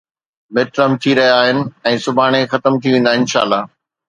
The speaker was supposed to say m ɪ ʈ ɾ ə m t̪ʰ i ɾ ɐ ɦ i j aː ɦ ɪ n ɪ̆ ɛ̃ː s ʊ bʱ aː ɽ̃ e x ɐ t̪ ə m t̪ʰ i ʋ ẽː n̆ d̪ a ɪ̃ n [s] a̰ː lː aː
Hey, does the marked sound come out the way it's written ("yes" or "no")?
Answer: no